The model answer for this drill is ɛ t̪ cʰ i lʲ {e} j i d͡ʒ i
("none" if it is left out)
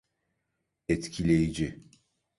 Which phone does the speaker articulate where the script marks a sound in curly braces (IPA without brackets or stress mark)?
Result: e